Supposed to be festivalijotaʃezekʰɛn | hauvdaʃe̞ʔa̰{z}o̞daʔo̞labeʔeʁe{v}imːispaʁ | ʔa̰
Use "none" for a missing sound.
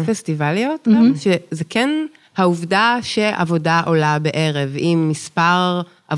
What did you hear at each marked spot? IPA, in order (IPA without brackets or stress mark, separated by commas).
v, v